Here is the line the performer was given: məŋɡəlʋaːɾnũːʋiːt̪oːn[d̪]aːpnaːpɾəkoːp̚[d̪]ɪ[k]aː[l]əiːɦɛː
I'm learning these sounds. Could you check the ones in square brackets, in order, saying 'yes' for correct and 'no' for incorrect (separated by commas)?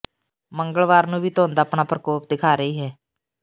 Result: yes, yes, no, no